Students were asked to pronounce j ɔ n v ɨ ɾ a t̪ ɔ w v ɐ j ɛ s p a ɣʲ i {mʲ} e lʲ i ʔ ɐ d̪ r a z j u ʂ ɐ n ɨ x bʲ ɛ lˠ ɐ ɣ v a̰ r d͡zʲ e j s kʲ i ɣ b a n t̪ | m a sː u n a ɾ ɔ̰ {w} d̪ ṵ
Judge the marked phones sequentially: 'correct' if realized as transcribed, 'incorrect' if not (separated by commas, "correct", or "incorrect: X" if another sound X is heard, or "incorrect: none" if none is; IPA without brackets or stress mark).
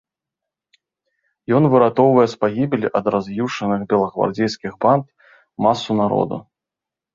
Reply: incorrect: bʲ, incorrect: none